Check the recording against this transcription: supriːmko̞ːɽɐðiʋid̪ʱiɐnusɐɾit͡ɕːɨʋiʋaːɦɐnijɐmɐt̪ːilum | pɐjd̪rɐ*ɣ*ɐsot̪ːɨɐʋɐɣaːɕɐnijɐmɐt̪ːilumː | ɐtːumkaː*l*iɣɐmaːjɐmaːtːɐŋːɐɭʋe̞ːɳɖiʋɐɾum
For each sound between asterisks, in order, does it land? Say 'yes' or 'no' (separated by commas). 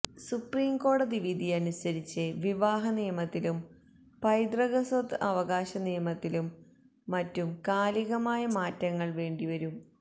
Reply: yes, yes